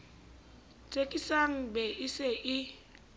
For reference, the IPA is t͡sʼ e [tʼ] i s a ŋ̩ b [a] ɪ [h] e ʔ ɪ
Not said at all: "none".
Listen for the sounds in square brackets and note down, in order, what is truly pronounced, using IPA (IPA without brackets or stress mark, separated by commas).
kʼ, ɛ, s